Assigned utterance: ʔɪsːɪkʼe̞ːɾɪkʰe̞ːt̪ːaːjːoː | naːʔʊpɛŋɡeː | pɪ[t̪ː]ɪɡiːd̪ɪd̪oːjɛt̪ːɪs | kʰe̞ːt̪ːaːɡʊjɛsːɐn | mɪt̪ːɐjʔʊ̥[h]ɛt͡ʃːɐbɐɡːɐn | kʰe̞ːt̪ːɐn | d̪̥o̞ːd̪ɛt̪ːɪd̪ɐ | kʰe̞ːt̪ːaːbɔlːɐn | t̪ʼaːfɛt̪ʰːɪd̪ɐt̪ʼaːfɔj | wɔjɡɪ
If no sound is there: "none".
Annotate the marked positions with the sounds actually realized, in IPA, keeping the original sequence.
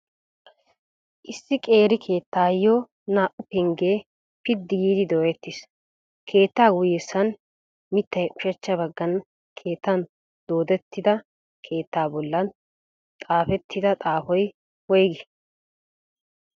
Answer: d̪ː, ʃ

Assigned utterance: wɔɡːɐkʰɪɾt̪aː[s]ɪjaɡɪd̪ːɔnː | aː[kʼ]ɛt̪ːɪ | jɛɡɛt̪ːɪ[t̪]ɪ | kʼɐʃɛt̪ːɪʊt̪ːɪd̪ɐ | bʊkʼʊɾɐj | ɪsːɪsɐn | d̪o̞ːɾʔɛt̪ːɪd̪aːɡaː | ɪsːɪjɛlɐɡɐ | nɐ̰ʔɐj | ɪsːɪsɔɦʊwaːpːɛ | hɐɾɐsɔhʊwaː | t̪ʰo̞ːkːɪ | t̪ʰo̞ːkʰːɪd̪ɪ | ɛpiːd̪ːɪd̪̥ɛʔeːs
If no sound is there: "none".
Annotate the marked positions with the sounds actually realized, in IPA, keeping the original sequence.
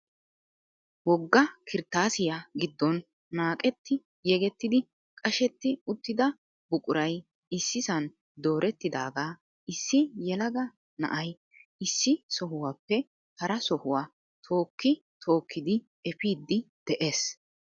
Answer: s, kʼ, d̪

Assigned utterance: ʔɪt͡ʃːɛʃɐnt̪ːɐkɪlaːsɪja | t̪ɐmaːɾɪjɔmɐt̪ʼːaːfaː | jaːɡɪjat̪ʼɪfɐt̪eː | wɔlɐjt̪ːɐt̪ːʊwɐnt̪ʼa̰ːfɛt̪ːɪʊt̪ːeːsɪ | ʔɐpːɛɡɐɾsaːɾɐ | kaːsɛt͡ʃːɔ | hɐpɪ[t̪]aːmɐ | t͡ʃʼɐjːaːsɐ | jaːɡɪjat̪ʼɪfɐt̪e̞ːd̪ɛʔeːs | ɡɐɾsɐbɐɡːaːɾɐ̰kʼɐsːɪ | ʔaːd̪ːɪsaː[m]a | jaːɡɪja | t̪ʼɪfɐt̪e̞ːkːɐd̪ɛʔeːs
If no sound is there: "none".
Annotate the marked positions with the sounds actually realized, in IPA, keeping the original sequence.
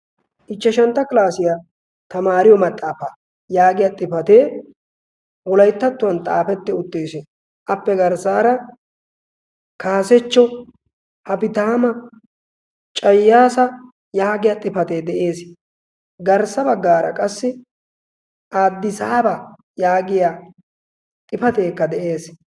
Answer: t̪, b

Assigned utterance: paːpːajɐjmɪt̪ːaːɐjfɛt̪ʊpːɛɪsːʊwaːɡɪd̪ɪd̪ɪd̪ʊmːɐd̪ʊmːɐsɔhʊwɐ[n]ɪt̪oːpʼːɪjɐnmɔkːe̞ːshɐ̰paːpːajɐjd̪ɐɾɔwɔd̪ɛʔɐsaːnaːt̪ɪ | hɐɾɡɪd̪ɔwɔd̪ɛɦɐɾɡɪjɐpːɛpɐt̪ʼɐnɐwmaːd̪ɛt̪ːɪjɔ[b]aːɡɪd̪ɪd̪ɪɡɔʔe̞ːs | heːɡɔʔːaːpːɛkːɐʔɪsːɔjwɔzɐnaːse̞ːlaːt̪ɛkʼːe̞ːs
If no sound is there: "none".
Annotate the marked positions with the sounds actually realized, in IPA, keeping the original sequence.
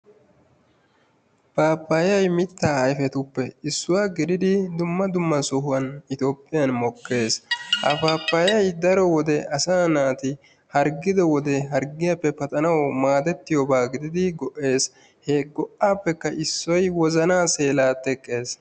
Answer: n, b

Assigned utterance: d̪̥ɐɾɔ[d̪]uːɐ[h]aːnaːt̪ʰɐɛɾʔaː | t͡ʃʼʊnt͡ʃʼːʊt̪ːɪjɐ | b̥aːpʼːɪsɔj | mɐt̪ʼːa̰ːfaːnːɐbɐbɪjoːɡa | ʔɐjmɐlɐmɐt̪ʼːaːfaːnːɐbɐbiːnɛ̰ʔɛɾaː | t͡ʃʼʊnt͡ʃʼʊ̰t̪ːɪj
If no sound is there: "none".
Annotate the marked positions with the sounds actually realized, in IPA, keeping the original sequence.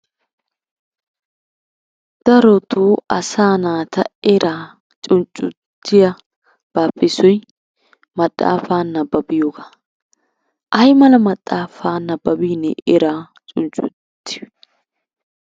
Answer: t̪, s

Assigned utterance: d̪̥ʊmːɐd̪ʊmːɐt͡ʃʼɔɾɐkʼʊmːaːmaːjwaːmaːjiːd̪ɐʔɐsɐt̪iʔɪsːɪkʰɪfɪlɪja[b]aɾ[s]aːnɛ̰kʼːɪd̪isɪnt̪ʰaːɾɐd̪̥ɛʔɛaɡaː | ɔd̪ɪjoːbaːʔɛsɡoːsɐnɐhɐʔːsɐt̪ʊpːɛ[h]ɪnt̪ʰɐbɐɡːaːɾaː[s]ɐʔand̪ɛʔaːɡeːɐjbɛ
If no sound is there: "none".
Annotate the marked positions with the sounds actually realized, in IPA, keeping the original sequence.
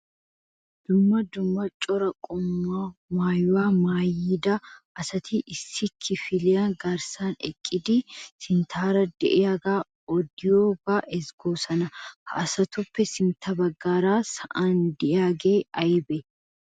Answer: ɡ, s, s, s

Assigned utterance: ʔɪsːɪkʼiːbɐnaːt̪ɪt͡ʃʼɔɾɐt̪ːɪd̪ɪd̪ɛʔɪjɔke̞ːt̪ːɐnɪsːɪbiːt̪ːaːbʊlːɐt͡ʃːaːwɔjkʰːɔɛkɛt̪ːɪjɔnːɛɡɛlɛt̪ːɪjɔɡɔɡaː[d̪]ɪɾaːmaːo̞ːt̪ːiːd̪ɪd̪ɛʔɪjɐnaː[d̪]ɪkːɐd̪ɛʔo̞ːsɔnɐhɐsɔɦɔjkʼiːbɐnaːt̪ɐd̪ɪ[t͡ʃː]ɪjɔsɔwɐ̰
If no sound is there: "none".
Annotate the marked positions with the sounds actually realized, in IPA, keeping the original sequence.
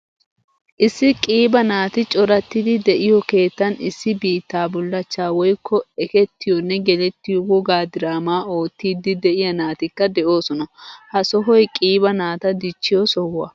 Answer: d̪, t̪, t͡ʃː

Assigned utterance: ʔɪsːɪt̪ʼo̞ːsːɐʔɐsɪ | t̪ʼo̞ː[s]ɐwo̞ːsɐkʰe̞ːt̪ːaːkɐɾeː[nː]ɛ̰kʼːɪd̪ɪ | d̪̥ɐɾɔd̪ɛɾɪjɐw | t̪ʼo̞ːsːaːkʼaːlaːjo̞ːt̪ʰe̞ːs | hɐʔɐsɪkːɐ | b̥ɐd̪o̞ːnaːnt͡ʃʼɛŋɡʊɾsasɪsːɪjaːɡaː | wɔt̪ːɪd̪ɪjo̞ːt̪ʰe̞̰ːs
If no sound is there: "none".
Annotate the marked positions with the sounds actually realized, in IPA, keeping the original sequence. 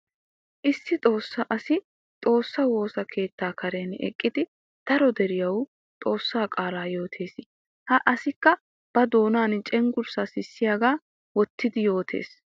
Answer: sː, n

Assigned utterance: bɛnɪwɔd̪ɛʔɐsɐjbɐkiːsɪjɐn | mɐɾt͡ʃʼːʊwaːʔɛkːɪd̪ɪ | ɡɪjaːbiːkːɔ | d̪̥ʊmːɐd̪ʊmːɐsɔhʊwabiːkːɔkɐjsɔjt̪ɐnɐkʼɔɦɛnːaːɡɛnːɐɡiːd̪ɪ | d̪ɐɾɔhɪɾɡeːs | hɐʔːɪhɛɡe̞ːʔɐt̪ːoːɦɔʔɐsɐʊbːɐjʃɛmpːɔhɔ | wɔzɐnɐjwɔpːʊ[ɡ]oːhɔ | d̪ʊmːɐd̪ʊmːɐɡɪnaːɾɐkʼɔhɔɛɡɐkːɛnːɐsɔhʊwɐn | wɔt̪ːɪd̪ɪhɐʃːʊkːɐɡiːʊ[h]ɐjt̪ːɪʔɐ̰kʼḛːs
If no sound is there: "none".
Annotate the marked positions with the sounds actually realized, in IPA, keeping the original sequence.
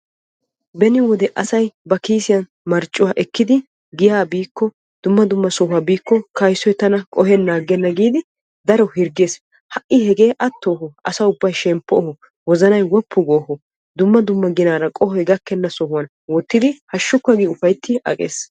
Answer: ɡ, f

